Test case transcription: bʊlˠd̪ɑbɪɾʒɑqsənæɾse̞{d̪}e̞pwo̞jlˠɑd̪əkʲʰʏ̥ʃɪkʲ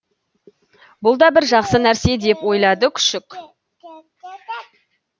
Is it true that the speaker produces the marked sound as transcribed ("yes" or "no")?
yes